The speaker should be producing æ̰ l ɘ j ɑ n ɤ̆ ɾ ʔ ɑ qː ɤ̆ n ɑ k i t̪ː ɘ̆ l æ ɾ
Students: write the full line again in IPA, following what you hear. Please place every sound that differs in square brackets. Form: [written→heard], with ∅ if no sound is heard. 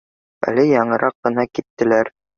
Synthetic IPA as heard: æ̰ l ɘ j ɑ [n→ɴ] ɤ̆ ɾ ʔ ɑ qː ɤ̆ n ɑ k i t̪ː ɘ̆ l æ ɾ